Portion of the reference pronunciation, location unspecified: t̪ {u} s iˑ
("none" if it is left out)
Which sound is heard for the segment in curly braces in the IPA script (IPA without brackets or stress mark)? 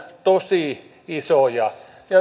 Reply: o